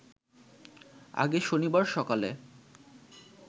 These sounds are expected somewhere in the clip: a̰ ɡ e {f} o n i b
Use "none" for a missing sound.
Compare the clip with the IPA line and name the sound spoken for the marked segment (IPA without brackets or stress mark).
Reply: ʃ